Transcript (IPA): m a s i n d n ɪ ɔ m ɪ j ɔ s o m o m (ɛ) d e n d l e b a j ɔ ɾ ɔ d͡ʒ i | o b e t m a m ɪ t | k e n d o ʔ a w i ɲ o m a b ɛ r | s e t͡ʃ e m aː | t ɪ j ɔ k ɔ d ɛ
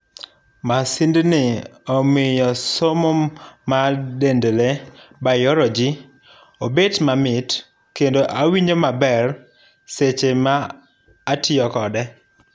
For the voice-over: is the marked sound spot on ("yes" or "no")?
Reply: no